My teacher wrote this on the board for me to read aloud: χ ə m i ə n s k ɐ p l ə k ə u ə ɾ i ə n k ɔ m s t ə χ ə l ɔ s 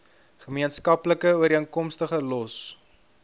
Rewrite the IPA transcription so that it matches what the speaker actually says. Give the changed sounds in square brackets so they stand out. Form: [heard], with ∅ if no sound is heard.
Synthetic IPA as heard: χ ə m i ə n s k ɐ p l ə k ə u ə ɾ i ə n k ɔ m s t ə χ ə l ɔ s